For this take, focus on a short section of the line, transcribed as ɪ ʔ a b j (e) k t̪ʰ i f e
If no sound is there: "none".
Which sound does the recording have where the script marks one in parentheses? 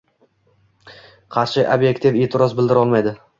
e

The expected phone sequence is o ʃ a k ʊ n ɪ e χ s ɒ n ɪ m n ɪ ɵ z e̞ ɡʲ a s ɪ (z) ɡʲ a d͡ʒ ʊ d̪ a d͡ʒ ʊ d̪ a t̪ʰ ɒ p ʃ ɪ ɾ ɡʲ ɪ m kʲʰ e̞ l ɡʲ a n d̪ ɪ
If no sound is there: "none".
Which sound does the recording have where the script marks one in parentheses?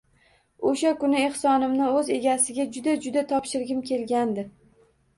none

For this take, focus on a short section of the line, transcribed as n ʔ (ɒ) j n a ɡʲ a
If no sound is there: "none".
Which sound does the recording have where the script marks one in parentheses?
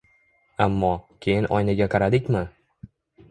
ɒ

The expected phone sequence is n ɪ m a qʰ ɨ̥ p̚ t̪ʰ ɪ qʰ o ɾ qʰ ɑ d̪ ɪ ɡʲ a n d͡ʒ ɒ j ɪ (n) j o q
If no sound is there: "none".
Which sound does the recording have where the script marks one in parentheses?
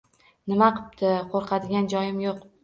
m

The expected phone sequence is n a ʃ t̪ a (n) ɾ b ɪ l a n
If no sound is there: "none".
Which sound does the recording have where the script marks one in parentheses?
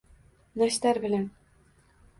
none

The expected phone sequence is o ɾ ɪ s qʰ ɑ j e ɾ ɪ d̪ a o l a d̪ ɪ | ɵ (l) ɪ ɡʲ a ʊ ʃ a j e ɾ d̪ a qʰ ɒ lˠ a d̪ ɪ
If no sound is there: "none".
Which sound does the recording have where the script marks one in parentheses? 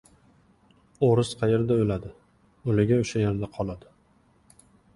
l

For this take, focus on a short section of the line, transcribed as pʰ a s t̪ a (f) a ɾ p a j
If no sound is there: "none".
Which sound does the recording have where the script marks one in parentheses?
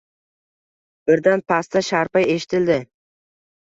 ʃ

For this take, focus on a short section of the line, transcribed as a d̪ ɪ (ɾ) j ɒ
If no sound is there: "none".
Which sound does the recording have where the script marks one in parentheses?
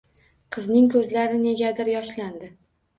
ɾ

